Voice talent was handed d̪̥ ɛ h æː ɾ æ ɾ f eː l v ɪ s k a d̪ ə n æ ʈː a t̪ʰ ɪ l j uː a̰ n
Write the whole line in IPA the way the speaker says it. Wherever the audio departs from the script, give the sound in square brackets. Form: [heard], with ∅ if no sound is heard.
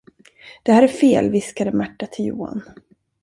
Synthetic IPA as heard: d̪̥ ɛ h æː ɾ æ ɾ f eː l v ɪ s k a d̪ ə [m] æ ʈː a t̪ʰ ɪ l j uː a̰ n